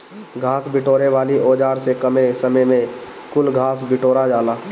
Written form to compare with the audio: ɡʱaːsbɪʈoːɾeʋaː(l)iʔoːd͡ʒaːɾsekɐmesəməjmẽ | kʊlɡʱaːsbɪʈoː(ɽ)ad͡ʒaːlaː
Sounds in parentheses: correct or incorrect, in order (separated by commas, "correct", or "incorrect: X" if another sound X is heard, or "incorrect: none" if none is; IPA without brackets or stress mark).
correct, incorrect: ɾ